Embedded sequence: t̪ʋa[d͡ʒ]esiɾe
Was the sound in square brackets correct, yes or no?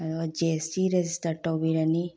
yes